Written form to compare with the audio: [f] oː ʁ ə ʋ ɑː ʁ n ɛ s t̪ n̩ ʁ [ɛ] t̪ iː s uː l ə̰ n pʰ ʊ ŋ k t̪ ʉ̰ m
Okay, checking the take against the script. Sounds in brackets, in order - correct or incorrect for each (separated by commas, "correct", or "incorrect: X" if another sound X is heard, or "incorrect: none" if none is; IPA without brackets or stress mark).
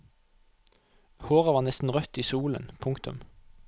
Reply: incorrect: h, incorrect: œ